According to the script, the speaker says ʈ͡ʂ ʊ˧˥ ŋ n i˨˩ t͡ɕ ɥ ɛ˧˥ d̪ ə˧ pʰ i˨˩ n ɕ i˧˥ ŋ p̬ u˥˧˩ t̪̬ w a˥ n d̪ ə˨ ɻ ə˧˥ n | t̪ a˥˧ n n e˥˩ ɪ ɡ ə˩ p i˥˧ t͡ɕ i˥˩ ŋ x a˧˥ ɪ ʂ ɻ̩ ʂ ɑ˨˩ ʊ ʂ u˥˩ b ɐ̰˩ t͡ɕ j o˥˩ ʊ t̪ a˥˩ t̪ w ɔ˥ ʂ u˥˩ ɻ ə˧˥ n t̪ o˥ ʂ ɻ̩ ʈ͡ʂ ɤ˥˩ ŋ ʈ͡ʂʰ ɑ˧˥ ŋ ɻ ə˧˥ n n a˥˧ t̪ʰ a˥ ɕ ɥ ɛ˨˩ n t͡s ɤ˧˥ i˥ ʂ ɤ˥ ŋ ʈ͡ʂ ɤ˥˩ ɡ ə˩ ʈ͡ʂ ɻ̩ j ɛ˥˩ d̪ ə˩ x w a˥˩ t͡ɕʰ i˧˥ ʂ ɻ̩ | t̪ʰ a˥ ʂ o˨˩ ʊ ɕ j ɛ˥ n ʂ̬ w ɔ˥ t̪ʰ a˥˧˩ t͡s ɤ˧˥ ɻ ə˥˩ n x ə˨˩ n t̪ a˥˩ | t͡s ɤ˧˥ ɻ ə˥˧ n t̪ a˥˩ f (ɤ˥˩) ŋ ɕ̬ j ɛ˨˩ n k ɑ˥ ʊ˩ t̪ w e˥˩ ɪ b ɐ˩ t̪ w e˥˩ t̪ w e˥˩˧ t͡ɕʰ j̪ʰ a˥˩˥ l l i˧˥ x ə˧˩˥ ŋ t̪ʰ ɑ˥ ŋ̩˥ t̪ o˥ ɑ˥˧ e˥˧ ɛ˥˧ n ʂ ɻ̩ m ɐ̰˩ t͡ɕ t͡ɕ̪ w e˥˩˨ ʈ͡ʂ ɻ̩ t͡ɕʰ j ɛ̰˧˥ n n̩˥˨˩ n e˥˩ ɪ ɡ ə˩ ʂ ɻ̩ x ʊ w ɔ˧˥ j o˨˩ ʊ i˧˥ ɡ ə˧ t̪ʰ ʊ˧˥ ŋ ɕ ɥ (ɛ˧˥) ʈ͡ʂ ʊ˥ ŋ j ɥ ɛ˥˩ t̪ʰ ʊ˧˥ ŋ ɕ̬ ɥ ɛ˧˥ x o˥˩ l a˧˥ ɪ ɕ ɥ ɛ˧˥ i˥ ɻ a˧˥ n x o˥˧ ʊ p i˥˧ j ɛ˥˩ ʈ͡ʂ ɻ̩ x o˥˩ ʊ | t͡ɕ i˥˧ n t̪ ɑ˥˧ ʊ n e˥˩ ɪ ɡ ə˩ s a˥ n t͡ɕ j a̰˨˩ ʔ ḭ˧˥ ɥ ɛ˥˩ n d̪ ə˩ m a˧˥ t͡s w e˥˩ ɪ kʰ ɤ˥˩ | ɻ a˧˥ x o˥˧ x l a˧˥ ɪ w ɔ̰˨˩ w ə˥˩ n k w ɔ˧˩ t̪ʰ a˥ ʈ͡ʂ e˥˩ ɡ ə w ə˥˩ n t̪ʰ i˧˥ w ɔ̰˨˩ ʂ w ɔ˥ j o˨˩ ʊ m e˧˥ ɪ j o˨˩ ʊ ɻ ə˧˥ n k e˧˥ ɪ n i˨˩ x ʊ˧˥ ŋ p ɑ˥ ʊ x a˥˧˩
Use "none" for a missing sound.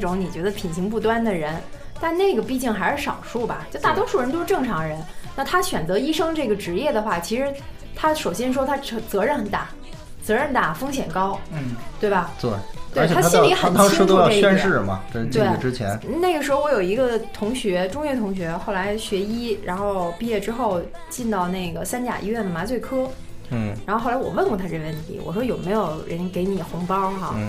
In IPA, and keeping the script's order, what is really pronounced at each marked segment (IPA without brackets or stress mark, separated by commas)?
ɤ˥, ɛ˧˥